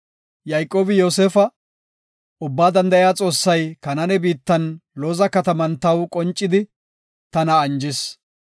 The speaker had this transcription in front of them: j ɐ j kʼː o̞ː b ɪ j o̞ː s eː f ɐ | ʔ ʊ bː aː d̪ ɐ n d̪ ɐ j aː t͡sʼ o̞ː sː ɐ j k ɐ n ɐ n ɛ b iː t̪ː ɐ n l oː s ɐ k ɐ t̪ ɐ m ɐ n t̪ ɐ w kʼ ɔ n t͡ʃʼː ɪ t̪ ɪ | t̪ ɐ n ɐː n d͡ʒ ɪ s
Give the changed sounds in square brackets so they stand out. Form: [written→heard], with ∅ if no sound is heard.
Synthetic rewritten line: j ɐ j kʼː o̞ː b ɪ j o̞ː s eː f ɐ | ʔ ʊ bː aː d̪ ɐ n d̪ ɐ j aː t͡sʼ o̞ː sː ɐ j k ɐ n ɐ n ɛ b iː t̪ː ɐ n l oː [s→z] ɐ k ɐ t̪ ɐ m ɐ n t̪ ɐ w kʼ ɔ n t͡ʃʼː ɪ [t̪→d̪] ɪ | t̪ ɐ n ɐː n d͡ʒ ɪ s